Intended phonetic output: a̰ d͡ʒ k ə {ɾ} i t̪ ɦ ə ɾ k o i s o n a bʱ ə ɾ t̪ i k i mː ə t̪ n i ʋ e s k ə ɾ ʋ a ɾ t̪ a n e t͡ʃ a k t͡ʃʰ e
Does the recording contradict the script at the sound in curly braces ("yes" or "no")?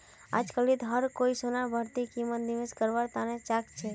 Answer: yes